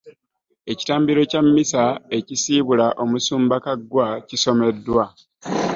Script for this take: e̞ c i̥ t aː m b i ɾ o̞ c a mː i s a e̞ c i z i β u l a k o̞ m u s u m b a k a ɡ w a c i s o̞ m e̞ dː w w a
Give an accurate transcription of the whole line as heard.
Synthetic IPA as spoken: e̞ c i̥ t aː m b i ɾ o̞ c a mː i s a e̞ c i s i β u l a ʔ o̞ m u s uː m b a k a ɡ w a c i s o̞ m e̞ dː w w a